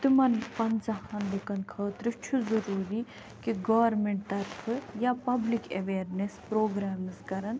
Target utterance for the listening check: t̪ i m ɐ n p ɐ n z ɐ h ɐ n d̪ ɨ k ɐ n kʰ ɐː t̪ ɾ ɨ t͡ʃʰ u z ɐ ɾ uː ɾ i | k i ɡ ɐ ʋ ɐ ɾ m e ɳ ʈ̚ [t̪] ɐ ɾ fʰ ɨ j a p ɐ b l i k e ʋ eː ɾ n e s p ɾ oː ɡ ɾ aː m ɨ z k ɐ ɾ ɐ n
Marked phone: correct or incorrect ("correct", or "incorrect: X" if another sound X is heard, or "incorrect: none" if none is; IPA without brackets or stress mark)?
correct